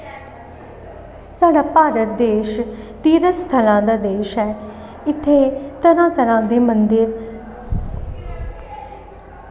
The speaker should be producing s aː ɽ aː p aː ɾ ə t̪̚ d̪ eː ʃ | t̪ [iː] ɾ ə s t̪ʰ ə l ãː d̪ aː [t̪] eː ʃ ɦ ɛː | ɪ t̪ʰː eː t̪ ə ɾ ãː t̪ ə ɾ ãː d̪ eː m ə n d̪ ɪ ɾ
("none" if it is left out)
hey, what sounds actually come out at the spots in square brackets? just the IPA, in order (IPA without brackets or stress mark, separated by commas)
iː, d̪